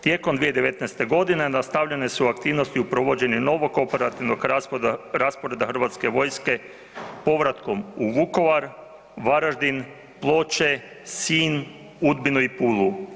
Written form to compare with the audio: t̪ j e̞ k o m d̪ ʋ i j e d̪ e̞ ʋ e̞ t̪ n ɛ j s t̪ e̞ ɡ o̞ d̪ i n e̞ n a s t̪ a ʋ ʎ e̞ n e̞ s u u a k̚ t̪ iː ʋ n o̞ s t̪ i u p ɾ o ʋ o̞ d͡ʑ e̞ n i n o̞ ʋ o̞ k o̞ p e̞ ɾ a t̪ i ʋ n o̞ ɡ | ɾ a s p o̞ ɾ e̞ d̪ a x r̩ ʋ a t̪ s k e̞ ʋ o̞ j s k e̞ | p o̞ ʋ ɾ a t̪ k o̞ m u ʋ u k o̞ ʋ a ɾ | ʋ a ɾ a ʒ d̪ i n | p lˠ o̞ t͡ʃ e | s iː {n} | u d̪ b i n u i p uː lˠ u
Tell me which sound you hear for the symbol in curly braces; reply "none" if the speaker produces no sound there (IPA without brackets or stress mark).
n